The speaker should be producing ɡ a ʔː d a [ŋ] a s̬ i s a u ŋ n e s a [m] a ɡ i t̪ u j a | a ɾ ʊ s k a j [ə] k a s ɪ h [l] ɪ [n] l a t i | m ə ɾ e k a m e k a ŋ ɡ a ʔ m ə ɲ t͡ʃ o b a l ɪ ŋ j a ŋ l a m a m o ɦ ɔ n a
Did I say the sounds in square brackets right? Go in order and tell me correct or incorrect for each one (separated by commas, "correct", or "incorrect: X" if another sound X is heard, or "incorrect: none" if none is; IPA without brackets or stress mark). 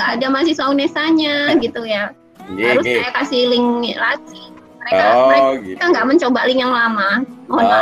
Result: incorrect: m, incorrect: ɲ, incorrect: a, correct, incorrect: ŋ